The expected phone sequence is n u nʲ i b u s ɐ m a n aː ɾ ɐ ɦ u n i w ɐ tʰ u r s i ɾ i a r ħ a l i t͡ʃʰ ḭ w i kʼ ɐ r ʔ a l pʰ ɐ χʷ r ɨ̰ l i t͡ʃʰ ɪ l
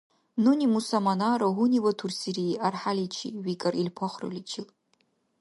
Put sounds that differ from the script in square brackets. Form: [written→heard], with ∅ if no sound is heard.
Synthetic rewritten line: n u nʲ i [b→m] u s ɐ m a n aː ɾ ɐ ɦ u n i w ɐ tʰ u r s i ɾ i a r ħ a l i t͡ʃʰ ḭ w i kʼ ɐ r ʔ [a→i] l pʰ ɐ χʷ r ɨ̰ l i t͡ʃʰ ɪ l